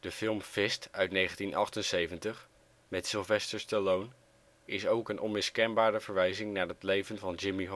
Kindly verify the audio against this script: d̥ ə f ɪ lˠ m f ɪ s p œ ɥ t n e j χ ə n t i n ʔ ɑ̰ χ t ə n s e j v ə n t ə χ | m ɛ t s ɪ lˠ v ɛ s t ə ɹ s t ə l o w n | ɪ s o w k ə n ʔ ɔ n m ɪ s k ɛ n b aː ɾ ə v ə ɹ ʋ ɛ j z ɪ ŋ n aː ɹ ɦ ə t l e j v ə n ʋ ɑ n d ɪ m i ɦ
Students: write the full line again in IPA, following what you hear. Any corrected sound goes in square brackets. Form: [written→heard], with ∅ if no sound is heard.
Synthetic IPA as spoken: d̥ ə f ɪ lˠ m f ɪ s [p→t] œ ɥ t n e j χ ə n t i n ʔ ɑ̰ χ t ə n s e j v ə n t ə χ | m ɛ t s ɪ lˠ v ɛ s t ə ɹ s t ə l o w n | ɪ s o w k ə n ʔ ɔ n m ɪ s k ɛ n b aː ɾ ə v ə ɹ ʋ ɛ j z ɪ ŋ n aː ɹ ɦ ə t l e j v ə n [ʋ→v] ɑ n [d→d͡ʒ] ɪ m i ɦ